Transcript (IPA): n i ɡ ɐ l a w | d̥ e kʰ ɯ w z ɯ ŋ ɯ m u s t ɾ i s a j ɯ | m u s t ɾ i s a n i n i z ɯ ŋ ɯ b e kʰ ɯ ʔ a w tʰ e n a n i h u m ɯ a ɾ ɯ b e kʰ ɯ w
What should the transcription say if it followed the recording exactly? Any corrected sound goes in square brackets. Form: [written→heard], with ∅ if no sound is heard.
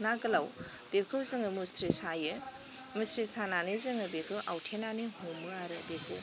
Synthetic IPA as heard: n [i→a] ɡ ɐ l a w | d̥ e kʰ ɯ w z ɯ ŋ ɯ m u s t ɾ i s a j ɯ | m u s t ɾ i s a n [i→a] n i z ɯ ŋ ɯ b e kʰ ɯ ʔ a w tʰ e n a n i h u m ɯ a ɾ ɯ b e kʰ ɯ w